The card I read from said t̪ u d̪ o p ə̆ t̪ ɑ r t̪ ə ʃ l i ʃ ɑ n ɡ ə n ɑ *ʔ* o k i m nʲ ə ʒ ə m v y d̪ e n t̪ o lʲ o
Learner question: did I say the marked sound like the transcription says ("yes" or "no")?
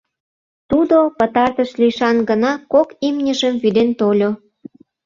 no